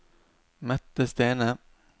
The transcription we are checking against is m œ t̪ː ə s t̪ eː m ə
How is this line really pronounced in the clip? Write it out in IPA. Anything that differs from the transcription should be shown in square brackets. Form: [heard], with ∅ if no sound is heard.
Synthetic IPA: m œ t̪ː ə s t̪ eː [n] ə